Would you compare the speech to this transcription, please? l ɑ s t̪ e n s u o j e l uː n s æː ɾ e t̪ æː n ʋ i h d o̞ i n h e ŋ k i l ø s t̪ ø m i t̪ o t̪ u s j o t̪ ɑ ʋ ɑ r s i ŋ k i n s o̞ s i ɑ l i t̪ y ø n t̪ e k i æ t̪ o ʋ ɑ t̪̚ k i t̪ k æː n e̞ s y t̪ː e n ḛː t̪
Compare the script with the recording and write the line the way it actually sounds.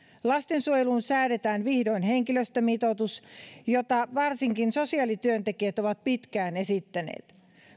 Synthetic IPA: l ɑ s t̪ e n s u o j e l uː n s æː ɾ e t̪ æː n ʋ i h d o̞ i n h e ŋ k i l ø s t̪ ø m i t̪ o t̪ u s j o t̪ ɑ ʋ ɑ r s i ŋ k i n s o̞ s i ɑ l i t̪ y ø n t̪ e k i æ t̪ o ʋ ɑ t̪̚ p i t̪ k æː n e̞ s i t̪ː æ n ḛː t̪